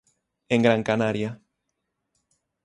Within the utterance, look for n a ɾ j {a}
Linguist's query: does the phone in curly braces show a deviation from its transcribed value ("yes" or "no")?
no